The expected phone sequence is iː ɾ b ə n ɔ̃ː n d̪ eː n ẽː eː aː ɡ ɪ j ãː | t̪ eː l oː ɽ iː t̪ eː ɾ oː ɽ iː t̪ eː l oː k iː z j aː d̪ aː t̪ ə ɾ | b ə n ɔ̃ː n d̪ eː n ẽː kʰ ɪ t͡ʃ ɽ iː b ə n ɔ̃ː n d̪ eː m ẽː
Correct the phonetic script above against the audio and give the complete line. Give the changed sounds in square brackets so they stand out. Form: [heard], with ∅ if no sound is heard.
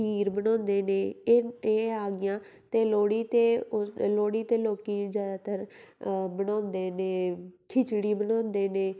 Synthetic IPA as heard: iː ɾ b ə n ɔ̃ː n d̪ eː n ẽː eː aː ɡ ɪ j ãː | t̪ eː l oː ɽ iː t̪ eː [l] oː ɽ iː t̪ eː l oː k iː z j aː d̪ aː t̪ ə ɾ | b ə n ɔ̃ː n d̪ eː n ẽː kʰ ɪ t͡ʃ ɽ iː b ə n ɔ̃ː n d̪ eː [n] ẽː